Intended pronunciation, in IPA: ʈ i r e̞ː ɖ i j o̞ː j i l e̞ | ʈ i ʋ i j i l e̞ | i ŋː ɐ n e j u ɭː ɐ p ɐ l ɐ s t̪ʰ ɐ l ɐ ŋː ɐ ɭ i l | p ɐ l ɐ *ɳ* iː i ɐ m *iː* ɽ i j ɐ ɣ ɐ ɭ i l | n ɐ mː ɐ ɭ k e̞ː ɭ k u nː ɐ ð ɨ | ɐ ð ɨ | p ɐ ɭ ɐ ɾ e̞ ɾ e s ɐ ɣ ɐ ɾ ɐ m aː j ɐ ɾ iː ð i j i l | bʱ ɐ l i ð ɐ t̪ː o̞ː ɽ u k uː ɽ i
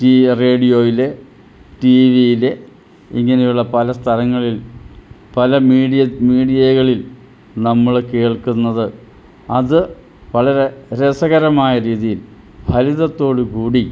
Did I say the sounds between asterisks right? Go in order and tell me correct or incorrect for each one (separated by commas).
incorrect, correct